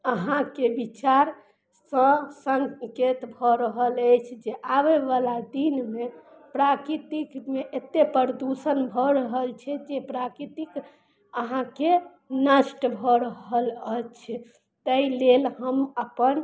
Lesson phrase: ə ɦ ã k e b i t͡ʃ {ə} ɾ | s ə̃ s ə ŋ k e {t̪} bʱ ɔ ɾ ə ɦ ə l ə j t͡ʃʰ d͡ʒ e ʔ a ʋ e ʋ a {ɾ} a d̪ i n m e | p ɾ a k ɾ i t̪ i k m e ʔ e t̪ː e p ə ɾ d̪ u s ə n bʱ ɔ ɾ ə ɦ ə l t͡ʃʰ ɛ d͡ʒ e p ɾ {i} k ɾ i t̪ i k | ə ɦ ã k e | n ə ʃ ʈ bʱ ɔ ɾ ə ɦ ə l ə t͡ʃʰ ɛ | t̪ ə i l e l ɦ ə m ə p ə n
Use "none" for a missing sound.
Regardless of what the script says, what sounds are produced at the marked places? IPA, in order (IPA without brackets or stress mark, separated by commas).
a, t̪, l, a